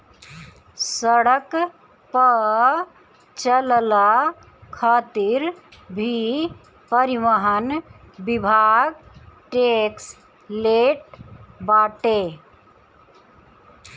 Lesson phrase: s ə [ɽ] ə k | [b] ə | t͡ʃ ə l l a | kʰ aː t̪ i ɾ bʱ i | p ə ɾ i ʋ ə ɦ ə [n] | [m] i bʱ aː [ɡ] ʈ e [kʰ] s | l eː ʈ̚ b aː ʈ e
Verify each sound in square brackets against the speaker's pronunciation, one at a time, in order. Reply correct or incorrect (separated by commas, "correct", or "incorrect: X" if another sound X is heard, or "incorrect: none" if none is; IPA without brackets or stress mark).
correct, incorrect: p, correct, incorrect: b, correct, incorrect: k